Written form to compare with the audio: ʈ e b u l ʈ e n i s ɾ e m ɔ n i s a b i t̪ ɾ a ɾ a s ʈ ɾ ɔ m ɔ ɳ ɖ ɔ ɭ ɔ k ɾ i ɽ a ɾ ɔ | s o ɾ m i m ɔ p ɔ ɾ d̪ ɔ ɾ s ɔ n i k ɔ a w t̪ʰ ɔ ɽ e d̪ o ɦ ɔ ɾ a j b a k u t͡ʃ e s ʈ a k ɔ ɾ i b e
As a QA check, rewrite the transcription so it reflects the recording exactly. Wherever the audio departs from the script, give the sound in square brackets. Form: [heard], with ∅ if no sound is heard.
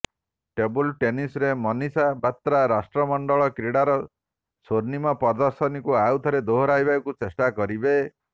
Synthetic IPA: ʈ e b u l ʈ e n i s ɾ e m ɔ n i s a b [a] t̪ ɾ a ɾ a s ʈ ɾ ɔ m ɔ ɳ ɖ ɔ ɭ ɔ k ɾ i ɽ a ɾ ɔ | s o ɾ [n] i m ɔ p ɔ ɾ d̪ ɔ ɾ s ɔ n i k [u] a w t̪ʰ ɔ [ɾ] e d̪ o ɦ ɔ ɾ a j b a k u t͡ʃ e s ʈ a k ɔ ɾ i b e